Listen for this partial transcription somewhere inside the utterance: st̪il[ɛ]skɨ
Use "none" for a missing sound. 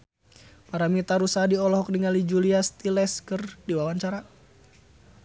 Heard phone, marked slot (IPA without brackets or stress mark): ɛ